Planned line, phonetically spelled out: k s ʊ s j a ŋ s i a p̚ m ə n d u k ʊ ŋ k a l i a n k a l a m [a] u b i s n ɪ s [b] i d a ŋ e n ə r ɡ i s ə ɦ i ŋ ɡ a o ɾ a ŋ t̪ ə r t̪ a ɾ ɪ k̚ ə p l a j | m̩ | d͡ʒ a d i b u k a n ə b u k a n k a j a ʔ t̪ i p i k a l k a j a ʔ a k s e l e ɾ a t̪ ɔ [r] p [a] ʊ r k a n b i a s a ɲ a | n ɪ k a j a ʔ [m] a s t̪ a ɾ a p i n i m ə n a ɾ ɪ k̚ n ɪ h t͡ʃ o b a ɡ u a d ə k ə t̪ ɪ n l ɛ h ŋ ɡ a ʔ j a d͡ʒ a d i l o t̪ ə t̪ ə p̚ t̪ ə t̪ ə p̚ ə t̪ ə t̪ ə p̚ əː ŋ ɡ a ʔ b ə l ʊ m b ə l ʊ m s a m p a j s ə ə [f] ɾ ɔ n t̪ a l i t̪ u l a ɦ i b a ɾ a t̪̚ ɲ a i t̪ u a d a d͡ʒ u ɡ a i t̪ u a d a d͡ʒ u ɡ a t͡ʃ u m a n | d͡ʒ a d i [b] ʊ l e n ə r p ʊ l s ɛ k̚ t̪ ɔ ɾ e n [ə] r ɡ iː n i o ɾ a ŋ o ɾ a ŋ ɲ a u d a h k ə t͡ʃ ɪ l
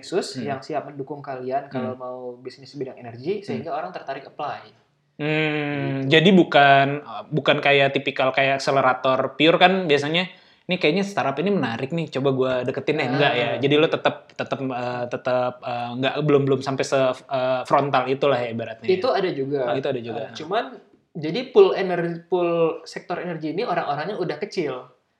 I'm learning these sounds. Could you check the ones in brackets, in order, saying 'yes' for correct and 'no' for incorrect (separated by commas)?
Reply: yes, yes, yes, no, no, yes, no, yes